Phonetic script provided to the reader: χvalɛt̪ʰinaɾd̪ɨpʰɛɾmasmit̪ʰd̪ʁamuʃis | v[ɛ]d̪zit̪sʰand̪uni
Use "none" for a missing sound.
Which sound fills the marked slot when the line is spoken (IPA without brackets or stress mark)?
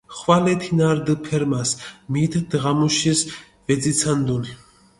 ɛ